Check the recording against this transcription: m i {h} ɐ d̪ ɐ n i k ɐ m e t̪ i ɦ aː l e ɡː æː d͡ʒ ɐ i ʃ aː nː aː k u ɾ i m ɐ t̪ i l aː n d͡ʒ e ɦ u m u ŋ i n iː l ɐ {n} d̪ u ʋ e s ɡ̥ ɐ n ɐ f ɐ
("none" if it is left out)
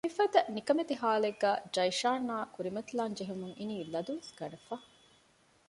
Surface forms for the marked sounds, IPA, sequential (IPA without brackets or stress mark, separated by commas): f, none